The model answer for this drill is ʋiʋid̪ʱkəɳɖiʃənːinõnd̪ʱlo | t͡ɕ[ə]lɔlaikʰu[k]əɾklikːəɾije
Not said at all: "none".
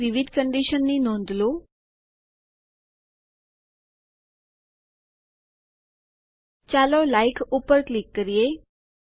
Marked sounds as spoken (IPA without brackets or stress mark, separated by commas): a, p